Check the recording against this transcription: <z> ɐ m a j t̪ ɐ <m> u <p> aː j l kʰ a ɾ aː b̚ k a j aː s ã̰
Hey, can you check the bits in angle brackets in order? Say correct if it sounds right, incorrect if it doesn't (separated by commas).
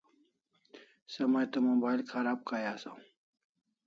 incorrect, correct, incorrect